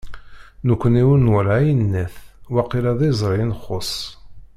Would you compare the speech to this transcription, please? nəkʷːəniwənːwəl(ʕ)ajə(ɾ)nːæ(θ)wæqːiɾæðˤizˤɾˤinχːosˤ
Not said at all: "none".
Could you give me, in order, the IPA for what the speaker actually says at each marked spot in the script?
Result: ʕ, none, θ

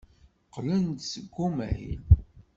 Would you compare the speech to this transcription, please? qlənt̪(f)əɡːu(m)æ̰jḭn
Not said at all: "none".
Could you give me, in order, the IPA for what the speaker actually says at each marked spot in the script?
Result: s, m

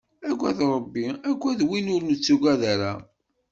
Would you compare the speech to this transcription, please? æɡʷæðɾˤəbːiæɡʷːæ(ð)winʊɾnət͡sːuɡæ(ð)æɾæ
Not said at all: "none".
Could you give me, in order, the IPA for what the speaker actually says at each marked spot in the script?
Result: ð, ð

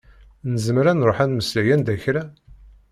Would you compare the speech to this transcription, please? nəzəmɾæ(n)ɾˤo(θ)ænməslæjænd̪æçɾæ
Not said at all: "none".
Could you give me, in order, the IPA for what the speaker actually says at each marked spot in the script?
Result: n, ħ

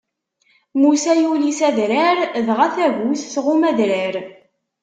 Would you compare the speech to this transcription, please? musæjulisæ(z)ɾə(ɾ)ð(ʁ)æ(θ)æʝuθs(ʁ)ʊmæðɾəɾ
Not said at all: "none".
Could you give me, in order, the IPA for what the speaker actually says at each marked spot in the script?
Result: ð, ɾ, ʁ, θ, ʁ

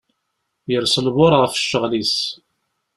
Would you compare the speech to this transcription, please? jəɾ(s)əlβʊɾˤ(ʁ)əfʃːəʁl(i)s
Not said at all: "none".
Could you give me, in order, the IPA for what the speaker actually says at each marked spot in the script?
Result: s, ʁ, i

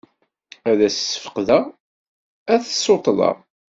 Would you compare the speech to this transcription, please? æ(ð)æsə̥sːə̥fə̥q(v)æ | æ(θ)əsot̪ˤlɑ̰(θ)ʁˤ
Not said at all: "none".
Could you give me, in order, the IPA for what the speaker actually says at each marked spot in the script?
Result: ð, ð, θ, none

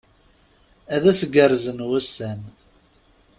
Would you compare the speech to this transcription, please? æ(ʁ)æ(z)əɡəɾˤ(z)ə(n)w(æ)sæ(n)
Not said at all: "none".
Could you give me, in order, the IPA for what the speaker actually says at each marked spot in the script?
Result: ð, s, z, n, æ, n

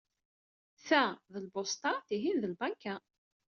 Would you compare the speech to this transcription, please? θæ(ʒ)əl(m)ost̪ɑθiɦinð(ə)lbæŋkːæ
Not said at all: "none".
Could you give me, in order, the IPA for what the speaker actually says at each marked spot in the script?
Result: ð, b, ə

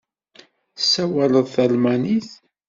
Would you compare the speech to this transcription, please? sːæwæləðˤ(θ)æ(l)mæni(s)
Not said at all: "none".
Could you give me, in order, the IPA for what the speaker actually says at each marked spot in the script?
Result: θ, l, θ

